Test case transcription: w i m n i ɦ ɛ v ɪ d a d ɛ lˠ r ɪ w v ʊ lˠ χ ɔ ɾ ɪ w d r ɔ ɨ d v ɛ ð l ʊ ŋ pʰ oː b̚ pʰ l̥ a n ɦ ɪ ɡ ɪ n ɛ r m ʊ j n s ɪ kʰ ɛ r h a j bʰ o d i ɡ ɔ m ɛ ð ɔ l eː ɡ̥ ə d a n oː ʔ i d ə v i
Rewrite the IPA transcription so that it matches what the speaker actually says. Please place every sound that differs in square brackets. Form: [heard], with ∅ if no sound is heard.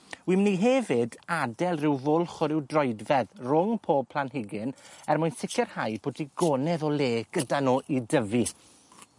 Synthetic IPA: w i m n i ɦ ɛ v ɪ d a d ɛ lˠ r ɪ w v ʊ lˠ χ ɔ ɾ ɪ w d r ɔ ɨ d v ɛ ð [r] ʊ ŋ pʰ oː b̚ pʰ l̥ a n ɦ ɪ ɡ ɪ n ɛ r m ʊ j n s ɪ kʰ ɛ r h a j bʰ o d i ɡ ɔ [n] ɛ ð ɔ l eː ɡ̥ ə d a n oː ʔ i d ə v i